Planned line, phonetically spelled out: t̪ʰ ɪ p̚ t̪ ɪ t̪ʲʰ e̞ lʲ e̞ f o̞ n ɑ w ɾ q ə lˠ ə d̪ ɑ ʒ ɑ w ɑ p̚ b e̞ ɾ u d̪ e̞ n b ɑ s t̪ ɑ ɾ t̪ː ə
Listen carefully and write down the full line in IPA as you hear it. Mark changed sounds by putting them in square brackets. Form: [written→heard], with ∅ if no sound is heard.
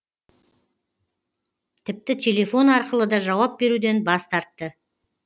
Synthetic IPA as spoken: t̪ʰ ɪ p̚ t̪ ɪ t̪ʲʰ e̞ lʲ e̞ f o̞ n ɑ [w→∅] ɾ q ə lˠ ə d̪ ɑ ʒ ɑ w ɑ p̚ b e̞ ɾ u d̪ e̞ n b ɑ s t̪ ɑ ɾ t̪ː ə